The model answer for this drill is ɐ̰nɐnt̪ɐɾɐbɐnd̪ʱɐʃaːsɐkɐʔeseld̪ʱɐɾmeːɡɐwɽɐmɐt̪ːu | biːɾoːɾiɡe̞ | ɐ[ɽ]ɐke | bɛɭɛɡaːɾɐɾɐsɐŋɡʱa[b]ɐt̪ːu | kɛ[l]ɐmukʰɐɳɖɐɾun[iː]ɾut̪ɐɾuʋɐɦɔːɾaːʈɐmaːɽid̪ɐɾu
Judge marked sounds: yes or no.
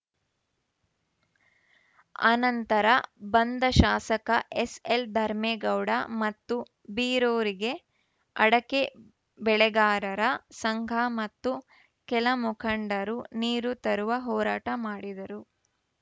yes, no, yes, yes

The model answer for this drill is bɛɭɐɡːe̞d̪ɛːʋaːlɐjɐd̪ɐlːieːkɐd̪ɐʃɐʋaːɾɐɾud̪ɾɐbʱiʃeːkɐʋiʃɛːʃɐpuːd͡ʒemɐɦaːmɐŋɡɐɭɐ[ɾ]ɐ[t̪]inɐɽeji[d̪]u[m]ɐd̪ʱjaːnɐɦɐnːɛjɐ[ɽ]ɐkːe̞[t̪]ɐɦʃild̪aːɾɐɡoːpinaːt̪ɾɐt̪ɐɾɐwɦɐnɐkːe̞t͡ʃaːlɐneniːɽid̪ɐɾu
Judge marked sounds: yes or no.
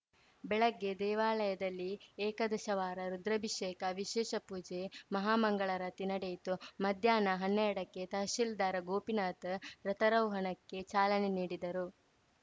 yes, yes, no, yes, yes, yes

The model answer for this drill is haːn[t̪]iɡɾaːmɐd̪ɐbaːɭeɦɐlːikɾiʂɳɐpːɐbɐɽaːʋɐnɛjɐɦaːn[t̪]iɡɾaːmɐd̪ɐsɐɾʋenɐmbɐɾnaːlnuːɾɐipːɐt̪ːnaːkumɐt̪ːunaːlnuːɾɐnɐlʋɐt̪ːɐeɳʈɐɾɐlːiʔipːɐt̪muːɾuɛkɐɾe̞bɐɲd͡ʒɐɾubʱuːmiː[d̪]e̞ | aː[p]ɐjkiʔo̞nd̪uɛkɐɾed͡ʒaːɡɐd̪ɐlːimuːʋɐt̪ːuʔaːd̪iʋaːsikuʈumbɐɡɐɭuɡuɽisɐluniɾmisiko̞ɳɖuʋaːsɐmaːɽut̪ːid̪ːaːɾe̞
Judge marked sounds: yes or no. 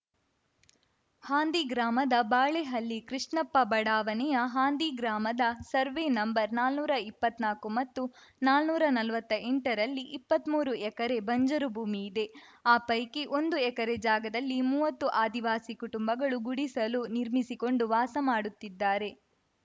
no, no, yes, yes

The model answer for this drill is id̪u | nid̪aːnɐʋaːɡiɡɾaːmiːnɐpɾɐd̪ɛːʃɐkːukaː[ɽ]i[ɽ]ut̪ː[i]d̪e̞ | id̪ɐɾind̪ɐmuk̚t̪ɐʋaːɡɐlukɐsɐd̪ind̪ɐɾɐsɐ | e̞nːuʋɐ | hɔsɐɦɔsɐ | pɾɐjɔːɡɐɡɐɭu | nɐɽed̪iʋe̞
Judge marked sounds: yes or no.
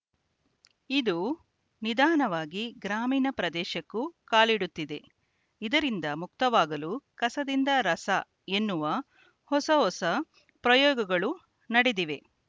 no, yes, yes

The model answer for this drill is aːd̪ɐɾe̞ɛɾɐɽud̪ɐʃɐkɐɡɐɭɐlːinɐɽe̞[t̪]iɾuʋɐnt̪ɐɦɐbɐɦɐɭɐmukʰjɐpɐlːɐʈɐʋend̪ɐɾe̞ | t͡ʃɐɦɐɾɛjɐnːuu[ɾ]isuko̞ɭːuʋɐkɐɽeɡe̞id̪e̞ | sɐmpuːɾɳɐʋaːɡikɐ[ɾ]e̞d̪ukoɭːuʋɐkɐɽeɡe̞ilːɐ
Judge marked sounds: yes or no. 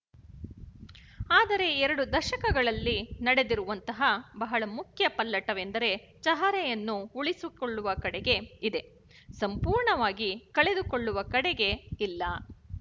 no, no, no

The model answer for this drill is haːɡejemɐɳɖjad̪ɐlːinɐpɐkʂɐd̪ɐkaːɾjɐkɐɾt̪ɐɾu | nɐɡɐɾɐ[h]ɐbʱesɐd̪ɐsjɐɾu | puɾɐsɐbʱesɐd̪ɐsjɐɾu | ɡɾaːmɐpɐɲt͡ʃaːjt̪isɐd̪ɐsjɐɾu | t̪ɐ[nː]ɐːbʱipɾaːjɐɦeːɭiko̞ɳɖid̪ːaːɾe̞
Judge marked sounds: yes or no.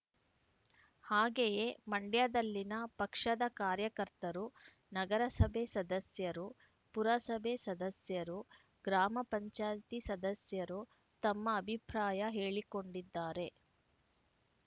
no, no

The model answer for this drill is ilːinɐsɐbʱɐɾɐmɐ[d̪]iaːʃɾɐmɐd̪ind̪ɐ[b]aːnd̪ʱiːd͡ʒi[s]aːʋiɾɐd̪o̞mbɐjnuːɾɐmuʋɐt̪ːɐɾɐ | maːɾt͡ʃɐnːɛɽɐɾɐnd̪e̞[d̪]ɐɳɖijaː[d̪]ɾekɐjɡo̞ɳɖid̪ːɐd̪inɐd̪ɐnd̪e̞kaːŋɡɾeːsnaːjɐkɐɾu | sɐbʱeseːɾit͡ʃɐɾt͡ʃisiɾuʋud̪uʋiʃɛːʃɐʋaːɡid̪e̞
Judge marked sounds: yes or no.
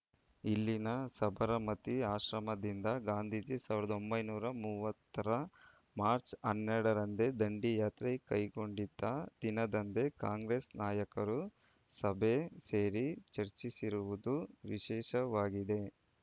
no, no, yes, yes, no

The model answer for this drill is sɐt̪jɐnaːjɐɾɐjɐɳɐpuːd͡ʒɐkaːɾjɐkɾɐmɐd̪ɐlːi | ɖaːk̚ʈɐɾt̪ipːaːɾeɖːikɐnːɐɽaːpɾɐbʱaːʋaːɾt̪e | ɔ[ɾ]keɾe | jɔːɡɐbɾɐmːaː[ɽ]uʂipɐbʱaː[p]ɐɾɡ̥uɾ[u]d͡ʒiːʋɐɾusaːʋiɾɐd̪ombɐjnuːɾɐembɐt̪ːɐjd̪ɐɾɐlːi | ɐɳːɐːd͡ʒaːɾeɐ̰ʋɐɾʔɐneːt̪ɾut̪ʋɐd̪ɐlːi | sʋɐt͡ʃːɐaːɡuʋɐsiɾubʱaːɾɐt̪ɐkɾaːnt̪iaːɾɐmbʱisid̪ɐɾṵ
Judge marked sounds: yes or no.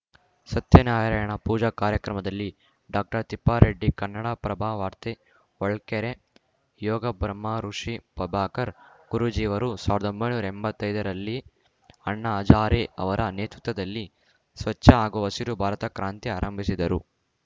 no, no, no, yes

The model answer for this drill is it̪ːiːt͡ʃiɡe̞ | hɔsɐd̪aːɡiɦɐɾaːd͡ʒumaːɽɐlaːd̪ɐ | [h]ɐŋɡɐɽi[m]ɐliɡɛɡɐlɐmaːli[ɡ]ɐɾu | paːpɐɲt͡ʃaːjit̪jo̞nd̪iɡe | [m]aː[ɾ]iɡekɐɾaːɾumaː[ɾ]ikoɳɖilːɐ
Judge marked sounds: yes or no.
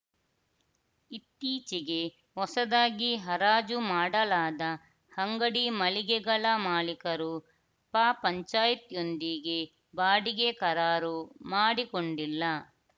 yes, yes, no, no, no, no

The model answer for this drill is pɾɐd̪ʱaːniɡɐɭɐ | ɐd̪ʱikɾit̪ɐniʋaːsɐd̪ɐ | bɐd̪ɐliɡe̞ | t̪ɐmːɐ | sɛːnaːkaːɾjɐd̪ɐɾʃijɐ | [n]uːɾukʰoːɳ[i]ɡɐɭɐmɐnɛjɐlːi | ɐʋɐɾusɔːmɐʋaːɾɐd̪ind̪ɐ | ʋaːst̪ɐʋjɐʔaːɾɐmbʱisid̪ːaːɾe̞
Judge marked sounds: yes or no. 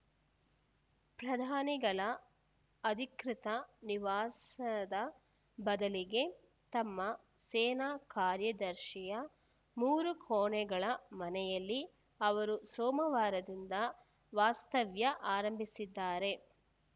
no, no

